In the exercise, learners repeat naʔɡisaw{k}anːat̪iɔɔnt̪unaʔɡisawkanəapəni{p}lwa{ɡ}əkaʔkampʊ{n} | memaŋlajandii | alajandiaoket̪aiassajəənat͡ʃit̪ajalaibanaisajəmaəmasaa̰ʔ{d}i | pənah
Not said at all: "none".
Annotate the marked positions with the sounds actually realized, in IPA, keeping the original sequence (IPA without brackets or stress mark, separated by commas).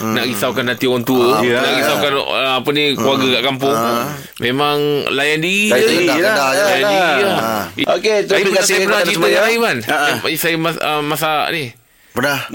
k, k, ɡ, ŋ, n